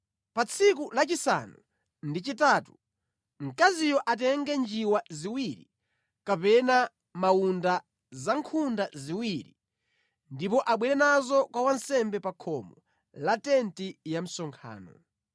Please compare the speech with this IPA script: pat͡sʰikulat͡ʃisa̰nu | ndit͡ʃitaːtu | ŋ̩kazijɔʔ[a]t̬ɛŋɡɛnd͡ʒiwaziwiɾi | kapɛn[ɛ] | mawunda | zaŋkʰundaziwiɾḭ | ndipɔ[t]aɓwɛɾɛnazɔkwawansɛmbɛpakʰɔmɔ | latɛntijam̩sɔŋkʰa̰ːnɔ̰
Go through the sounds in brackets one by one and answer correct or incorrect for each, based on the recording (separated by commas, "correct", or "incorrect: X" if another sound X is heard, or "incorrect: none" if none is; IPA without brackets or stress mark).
correct, incorrect: a, incorrect: ʔ